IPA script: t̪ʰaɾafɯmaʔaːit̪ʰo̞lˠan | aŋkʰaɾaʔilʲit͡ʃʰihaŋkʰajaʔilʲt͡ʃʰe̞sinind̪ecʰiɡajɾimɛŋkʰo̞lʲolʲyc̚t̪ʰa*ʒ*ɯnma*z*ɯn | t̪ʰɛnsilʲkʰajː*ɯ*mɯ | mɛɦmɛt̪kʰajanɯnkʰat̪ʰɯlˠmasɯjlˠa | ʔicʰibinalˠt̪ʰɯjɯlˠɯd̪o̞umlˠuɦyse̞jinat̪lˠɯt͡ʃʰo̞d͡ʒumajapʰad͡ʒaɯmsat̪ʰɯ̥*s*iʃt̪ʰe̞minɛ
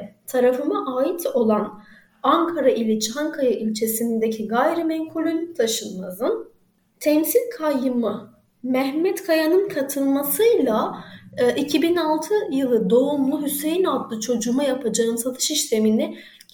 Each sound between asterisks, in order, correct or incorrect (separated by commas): incorrect, correct, correct, incorrect